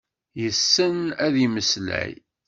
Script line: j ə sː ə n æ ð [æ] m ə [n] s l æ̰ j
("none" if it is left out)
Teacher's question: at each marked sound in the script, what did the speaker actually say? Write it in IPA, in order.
i, none

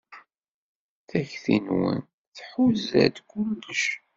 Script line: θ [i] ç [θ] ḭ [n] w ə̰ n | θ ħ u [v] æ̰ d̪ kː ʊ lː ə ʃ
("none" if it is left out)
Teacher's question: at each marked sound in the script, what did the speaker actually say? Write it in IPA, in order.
æ, θ, n, z

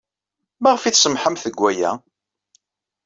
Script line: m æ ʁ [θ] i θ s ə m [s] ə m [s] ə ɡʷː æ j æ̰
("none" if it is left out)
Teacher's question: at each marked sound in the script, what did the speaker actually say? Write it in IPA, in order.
f, ħ, θ

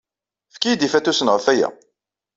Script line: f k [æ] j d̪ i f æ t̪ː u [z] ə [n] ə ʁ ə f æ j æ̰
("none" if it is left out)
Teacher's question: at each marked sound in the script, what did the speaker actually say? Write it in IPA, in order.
i, s, n

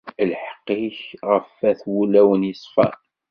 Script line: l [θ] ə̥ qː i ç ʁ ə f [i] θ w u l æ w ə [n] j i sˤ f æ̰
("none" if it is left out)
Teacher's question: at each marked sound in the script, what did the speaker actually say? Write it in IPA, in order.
ħ, æ, n

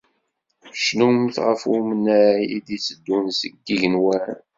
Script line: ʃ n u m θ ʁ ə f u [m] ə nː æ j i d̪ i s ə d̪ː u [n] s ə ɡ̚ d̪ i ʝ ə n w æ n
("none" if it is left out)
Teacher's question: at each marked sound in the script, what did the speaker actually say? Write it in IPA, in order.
m, n

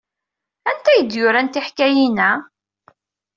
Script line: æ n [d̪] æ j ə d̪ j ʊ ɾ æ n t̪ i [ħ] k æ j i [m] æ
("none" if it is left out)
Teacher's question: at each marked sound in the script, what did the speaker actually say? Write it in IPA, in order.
t̪, ħ, n

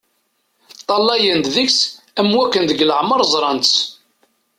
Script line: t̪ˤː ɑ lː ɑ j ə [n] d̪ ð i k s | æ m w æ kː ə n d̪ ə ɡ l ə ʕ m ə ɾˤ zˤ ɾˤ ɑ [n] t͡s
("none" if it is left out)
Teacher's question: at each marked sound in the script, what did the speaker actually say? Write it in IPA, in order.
n, n

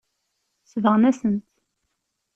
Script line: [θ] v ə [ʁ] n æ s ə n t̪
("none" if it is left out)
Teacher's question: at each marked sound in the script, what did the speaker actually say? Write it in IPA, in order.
s, ʁ

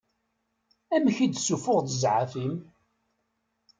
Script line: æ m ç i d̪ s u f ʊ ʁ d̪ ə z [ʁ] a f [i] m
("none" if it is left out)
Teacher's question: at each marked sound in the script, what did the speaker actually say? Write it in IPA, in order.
ʕ, i

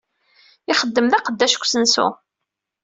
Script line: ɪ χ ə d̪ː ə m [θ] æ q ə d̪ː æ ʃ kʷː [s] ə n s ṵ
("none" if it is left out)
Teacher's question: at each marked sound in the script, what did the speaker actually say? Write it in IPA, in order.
ð, s

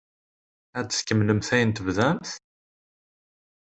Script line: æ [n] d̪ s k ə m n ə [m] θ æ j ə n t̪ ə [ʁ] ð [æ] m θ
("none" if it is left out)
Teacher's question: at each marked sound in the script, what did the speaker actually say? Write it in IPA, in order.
none, m, v, æ

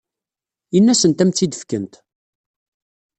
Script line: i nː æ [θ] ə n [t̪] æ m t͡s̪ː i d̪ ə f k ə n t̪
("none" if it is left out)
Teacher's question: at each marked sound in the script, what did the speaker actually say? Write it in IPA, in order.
s, t̪

